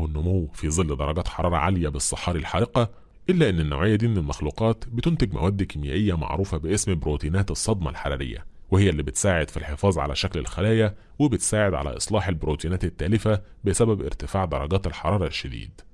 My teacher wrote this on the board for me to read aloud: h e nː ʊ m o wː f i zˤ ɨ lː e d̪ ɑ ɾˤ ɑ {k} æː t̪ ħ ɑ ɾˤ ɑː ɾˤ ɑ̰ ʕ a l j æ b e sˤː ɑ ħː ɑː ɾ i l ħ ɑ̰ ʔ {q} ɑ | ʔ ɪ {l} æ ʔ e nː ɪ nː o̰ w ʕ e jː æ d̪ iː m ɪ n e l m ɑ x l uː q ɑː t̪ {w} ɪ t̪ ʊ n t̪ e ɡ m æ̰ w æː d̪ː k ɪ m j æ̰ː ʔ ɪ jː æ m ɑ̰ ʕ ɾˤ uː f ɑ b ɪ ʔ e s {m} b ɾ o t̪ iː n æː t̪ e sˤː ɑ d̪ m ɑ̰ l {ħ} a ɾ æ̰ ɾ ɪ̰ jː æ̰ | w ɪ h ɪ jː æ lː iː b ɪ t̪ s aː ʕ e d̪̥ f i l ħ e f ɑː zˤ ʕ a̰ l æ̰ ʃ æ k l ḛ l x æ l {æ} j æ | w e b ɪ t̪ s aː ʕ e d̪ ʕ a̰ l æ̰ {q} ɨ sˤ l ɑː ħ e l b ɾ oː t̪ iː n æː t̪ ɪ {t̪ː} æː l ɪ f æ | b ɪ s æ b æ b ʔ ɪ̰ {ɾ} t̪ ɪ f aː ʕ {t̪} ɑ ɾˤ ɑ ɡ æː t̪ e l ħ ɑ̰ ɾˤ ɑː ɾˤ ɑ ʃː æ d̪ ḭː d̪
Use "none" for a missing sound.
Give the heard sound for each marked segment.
ɡ, q, lː, b, m, ħ, æː, ʔ, t̪ː, ɾ, d̪

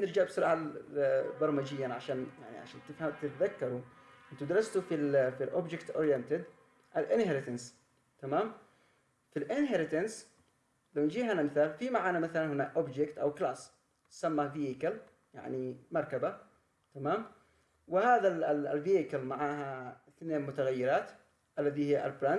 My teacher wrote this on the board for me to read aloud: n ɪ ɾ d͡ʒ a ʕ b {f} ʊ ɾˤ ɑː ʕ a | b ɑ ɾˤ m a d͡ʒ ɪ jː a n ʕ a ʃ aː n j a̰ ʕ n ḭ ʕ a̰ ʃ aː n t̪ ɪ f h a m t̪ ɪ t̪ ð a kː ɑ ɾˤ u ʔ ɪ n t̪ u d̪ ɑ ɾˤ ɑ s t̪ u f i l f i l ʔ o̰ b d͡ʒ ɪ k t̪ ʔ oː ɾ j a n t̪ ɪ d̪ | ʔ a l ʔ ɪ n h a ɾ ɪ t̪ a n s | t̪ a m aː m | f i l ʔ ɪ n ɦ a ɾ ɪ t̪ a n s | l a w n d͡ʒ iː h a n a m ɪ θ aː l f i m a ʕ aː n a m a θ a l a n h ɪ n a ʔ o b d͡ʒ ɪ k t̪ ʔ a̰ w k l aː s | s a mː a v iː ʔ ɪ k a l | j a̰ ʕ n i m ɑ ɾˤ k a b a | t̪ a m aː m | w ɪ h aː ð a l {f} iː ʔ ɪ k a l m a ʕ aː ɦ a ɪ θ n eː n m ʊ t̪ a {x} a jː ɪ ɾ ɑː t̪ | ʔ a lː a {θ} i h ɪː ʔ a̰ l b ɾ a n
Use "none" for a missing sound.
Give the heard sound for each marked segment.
s, v, ɣ, ð

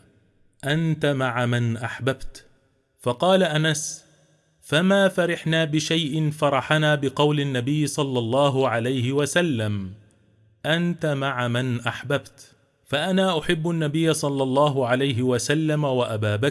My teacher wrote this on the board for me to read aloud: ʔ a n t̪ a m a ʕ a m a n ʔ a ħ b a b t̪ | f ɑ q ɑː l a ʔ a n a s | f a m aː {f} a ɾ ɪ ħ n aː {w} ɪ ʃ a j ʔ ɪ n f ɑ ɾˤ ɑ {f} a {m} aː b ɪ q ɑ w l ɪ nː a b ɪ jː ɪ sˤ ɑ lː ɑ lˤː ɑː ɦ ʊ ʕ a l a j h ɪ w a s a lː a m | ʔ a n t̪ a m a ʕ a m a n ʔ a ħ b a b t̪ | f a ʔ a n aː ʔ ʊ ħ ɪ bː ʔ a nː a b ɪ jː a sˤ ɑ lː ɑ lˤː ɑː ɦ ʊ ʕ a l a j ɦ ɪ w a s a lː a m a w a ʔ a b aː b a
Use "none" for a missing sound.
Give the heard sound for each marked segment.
f, b, ħ, n

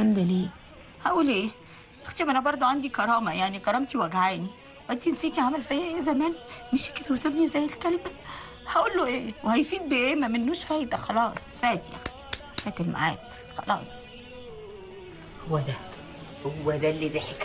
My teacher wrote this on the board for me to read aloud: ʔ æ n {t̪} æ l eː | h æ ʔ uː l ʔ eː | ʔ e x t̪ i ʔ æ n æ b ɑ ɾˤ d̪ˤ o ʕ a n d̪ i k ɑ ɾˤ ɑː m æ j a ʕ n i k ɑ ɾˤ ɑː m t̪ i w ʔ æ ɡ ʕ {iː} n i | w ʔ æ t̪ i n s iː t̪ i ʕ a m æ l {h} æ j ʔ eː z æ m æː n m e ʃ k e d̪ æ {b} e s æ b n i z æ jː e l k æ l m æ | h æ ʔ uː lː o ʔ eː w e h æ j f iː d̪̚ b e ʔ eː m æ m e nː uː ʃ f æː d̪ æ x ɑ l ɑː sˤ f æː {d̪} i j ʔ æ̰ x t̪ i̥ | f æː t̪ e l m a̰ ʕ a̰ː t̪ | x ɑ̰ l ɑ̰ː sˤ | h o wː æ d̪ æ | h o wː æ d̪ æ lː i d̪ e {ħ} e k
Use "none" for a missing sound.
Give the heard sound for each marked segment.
d̪, aː, f, w, t̪, ħ

